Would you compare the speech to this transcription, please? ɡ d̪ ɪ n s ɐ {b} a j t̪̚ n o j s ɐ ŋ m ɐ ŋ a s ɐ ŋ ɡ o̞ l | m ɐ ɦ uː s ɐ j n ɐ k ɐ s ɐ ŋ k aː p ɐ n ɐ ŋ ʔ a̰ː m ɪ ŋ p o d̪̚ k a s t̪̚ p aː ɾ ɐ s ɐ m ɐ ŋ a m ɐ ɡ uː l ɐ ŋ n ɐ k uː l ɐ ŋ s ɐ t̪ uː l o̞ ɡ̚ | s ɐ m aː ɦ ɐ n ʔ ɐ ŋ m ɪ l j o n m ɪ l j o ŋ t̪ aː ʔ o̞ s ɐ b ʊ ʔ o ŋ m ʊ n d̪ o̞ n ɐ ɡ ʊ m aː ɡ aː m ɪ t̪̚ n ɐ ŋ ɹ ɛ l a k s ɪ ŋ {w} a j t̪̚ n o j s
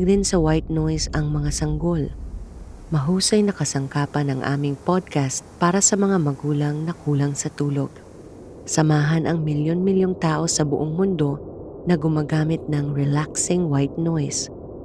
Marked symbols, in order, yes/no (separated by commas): no, yes